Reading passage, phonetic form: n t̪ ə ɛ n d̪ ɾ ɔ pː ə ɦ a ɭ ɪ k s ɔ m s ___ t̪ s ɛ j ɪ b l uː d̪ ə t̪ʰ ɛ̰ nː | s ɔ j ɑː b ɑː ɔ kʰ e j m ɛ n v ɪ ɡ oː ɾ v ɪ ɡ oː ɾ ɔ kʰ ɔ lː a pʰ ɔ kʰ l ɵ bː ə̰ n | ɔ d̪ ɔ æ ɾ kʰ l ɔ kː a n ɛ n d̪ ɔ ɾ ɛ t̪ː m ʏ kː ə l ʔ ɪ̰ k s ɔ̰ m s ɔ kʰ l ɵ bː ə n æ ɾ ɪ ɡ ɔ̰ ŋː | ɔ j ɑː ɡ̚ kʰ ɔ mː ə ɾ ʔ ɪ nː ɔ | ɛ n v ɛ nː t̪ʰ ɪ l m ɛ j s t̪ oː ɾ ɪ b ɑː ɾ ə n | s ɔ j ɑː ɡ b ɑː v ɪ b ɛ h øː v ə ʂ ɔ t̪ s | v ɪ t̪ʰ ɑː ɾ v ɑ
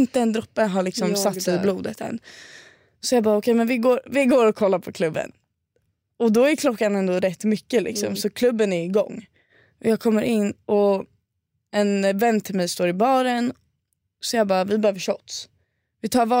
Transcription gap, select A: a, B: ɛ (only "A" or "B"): A